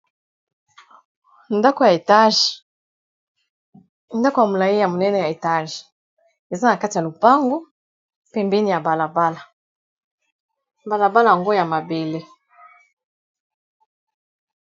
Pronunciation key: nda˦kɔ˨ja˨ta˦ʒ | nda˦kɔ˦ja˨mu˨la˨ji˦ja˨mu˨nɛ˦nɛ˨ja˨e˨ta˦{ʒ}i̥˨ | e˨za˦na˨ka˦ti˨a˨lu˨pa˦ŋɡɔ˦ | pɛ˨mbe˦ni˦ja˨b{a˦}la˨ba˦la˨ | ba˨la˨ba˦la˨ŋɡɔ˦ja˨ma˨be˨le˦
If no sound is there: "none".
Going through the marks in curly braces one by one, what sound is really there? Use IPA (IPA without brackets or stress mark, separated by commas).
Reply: ʒ, a˨